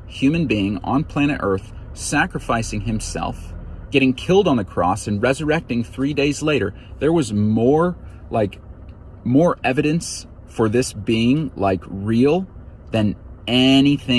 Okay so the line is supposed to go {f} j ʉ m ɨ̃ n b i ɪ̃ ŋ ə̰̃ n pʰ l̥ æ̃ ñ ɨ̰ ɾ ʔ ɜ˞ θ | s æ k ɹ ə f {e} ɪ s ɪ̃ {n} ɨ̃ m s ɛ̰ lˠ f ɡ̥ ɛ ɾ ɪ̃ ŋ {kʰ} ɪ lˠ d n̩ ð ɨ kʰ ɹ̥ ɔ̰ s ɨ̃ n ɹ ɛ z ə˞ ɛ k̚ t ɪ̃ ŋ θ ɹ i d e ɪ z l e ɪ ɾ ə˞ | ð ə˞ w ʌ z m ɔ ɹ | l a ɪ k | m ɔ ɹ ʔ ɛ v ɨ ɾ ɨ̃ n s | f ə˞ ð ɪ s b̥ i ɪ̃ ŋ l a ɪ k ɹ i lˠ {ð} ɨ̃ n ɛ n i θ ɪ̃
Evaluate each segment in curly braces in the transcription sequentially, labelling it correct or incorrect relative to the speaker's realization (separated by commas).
incorrect, incorrect, incorrect, correct, correct